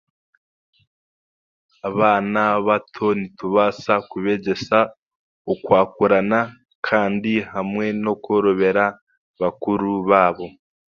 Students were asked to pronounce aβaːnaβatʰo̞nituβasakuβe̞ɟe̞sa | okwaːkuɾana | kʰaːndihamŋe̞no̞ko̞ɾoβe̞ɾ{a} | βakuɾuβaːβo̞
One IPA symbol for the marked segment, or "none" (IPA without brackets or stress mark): a